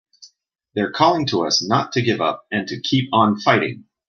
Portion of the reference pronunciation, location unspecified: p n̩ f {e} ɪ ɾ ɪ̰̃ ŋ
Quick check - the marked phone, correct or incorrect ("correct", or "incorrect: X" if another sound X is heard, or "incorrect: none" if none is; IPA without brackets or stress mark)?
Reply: incorrect: a